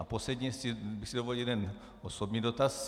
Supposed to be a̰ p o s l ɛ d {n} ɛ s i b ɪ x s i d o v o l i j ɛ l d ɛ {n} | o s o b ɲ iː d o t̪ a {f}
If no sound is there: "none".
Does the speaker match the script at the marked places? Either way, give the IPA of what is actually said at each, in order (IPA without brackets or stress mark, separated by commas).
ɲ, n, s